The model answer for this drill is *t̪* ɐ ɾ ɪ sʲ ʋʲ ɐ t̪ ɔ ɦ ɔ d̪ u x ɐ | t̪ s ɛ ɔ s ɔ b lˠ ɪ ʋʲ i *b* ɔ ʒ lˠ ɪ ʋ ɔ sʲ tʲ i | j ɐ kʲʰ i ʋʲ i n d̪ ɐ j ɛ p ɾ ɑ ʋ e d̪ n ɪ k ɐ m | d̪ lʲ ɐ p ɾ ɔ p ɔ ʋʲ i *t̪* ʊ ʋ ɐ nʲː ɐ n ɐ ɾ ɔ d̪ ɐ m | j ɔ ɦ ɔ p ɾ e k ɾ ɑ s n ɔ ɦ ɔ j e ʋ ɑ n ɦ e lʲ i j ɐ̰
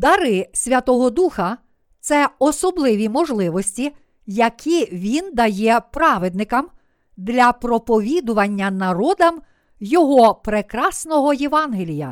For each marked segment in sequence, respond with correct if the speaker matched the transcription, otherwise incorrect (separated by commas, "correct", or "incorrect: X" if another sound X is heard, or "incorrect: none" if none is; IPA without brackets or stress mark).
incorrect: d̪, incorrect: m, incorrect: d̪